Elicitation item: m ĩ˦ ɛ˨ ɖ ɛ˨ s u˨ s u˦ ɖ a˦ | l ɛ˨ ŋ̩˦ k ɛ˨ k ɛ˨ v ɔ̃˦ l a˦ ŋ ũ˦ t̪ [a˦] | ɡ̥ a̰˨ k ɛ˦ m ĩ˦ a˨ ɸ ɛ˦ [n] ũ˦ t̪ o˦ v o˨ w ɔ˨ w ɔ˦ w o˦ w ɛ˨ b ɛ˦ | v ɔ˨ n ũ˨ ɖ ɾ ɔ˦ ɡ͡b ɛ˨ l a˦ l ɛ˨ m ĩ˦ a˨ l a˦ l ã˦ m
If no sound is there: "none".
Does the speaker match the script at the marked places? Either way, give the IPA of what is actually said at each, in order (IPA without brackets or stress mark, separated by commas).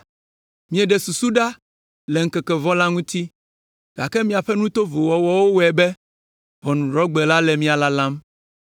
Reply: i˦, n